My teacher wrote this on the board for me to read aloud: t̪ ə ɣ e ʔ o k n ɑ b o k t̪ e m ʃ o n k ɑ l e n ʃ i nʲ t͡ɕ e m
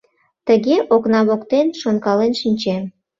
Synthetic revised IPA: t̪ ə ɣ e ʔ o k n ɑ β o k t̪ e n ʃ o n k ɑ l e n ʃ i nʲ t͡ɕ e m